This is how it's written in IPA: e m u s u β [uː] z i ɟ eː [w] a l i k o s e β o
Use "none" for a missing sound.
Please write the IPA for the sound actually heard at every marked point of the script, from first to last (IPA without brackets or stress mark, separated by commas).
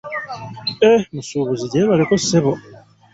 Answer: u, β